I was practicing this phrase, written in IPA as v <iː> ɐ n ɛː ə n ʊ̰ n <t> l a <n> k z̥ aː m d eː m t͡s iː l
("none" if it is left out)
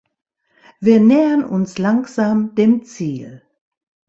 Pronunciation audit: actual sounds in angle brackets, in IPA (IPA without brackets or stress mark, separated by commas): iː, s, ŋ